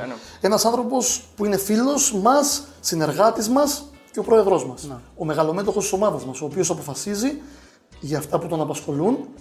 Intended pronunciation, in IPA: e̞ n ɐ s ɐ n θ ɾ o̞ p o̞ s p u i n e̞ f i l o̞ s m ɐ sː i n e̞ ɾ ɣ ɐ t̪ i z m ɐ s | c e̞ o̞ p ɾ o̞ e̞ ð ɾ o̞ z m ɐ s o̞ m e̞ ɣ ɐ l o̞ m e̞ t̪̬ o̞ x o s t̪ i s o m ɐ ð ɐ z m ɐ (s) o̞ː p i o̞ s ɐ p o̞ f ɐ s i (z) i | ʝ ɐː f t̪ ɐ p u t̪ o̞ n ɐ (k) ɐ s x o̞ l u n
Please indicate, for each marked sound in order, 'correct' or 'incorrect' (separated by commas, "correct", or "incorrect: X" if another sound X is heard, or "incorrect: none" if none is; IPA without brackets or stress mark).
correct, correct, incorrect: p